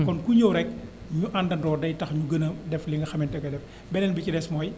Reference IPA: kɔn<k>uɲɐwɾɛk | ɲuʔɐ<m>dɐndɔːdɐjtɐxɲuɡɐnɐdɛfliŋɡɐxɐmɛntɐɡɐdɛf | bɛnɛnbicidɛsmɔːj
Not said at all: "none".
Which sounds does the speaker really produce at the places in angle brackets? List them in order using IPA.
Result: k, n

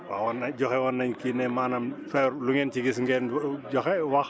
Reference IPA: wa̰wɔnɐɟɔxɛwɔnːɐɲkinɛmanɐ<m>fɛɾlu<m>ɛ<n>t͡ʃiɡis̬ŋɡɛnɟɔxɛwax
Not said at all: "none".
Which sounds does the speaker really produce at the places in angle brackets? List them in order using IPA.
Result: m, ŋ, n

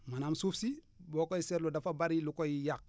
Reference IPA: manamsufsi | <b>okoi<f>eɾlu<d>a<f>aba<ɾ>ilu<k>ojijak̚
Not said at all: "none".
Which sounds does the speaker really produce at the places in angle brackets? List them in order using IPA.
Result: b, s, d, f, ɾ, k

